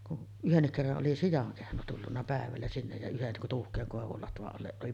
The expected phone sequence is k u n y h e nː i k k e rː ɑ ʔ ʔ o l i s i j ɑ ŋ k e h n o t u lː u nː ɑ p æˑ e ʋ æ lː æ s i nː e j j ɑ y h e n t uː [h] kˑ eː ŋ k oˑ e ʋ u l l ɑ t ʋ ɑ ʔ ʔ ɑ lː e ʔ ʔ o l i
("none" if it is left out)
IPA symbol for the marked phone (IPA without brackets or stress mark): h